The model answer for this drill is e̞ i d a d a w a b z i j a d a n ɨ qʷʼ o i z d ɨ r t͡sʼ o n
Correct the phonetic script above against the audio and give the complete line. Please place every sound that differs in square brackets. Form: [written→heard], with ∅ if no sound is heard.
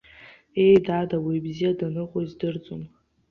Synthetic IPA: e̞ [i→j] d a d a w [a→i] b z i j a d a n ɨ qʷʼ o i z d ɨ r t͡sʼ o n